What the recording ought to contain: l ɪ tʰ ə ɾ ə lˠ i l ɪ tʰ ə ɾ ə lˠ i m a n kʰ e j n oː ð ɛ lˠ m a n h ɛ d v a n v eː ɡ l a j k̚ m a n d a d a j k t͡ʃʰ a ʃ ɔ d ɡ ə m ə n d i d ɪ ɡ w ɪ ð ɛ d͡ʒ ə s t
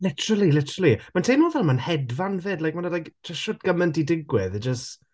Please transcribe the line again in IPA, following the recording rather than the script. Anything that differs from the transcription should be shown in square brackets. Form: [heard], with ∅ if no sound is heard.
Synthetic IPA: l ɪ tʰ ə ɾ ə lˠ i l ɪ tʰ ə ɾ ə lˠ i m a n [tʰ] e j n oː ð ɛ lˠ m a n h ɛ d v a n v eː [d] l a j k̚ m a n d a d a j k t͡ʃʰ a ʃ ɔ d ɡ ə m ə n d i d ɪ ɡ w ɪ ð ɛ d͡ʒ ə s t